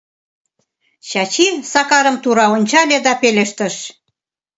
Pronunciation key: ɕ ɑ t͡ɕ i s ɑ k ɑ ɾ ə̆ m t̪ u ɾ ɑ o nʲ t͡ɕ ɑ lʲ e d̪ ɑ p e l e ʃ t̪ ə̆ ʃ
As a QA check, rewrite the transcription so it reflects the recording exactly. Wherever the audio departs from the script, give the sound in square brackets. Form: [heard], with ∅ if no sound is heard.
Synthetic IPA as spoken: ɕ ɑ t͡ɕ i s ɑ k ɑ ɾ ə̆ m t̪ u ɾ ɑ o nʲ t͡ɕ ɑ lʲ e d̪ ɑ p e l e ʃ t̪ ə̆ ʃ

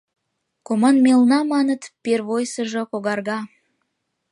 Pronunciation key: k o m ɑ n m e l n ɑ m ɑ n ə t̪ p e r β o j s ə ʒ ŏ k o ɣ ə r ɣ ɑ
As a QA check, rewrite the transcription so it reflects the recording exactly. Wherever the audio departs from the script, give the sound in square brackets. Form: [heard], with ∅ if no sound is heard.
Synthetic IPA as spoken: k o m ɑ n m e l n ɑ m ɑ n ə t̪ p e r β o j s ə ʒ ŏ k o ɣ [ɑ] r ɣ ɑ

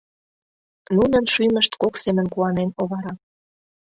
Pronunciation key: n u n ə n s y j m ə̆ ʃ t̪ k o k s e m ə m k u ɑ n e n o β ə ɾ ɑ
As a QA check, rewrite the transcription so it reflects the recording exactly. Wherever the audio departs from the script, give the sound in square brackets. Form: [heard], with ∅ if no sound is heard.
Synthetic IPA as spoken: n u n ə n [ʃ] y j m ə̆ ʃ t̪ k o k s e m ə [n] k u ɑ n e n o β [ɑ] ɾ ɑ

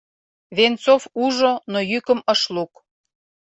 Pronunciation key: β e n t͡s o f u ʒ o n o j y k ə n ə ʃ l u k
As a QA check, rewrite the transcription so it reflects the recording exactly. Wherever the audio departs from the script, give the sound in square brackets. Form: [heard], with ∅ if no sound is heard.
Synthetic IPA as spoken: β e n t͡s o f u ʒ o n o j y k ə [m] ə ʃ l u k

